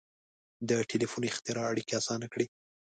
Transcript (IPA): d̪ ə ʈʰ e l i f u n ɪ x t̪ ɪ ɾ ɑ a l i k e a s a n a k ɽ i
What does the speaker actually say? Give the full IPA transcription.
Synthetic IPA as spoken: d̪ ə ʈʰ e l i f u n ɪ x t̪ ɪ ɾ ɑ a ɽ i k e a s ɑ n a k ɽ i